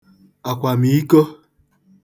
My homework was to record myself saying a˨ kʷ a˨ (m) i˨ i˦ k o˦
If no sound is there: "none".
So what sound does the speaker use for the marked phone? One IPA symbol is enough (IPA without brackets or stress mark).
m